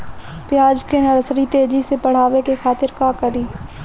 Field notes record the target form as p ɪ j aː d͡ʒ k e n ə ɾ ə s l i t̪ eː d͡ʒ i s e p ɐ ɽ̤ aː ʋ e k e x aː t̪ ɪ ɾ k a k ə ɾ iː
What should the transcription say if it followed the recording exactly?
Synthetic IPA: p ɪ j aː d͡ʒ k e n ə ɾ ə s ɾ i t̪ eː d͡ʒ i s e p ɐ ɽ̤ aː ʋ e k e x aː t̪ ɪ ɾ k a k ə ɾ iː